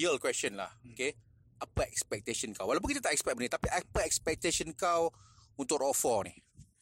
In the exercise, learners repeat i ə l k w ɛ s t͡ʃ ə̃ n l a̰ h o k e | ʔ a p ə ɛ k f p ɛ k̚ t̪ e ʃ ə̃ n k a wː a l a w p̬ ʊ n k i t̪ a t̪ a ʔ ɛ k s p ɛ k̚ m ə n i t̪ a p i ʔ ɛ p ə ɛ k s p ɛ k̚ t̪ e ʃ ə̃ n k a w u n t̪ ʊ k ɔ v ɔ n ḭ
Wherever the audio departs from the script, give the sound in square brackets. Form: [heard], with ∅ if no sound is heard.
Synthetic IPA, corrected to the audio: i ə l k w ɛ s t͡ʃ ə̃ n l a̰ h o k e | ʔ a p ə ɛ k [s] p ɛ k̚ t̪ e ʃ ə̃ n k a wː a l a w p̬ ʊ n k i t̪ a t̪ a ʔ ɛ k s p ɛ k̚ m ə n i t̪ a p i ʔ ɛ p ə ɛ k s p ɛ k̚ t̪ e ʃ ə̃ n k a w u n t̪ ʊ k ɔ [f] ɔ n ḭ